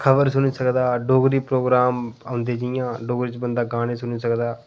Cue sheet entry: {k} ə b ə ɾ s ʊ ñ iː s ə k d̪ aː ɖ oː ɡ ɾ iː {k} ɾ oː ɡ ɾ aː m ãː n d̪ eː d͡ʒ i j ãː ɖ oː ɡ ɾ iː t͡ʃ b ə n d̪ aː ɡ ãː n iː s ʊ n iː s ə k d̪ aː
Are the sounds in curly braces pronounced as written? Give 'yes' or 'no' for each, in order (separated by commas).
no, no